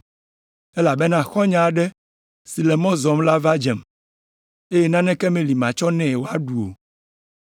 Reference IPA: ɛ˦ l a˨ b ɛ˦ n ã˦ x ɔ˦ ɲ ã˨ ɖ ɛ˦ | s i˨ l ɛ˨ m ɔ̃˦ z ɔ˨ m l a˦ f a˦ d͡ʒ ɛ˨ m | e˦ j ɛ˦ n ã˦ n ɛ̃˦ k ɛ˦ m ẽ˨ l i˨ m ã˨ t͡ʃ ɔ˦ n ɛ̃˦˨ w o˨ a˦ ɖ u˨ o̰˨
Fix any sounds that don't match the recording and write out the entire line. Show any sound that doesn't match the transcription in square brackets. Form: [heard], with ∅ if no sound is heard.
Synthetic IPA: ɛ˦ l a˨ b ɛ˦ n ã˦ x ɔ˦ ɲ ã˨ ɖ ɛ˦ | s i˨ l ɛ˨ m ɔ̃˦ z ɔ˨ m l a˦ [v] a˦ d͡ʒ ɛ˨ m | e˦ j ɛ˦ n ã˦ n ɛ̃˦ k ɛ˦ m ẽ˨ l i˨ m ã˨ t͡ʃ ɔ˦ n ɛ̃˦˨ w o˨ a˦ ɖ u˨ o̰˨